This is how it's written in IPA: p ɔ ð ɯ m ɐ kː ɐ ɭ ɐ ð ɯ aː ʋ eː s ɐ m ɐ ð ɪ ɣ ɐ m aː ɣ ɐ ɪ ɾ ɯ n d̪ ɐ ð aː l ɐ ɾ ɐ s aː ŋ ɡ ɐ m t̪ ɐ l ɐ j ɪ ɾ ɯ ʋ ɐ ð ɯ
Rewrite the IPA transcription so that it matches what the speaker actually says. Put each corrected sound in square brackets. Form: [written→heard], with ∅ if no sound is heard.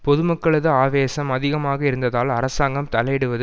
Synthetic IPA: p ɔ ð ɯ m ɐ kː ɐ ɭ ɐ ð ɯ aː ʋ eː s ɐ m ɐ ð ɪ ɣ ɐ m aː ɣ ɐ ɪ ɾ ɯ n d̪ ɐ ð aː l ɐ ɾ ɐ s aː ŋ ɡ ɐ m t̪ ɐ l ɐ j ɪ [ɾ→ɽ] ɯ ʋ ɐ ð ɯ